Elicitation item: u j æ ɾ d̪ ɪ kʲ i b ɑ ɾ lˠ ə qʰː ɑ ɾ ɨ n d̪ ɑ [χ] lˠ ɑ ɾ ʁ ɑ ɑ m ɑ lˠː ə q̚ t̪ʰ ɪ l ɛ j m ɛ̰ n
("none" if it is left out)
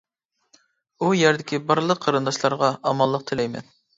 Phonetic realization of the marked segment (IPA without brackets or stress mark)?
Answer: ʃ